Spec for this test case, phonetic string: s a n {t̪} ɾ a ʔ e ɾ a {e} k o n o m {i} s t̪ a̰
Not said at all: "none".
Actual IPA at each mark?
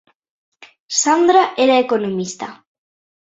d̪, e, i

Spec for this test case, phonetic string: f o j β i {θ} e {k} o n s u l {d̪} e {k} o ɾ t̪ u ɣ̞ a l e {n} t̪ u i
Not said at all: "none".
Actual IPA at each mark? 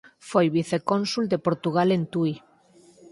θ, k, d̪, p, n

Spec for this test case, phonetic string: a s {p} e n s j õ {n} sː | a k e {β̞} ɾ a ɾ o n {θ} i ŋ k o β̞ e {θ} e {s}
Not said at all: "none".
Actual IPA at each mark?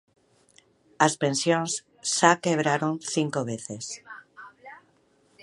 p, n, β̞, θ, θ, s

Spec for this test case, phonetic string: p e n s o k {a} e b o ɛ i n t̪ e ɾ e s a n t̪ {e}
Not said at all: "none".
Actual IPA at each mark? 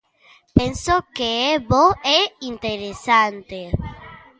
e, e

